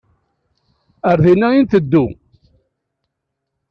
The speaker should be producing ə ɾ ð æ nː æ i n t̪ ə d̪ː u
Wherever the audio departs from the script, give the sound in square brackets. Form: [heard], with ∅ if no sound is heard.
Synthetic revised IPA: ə ɾ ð [i] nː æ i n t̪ ə d̪ː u